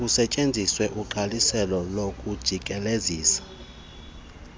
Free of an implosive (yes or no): yes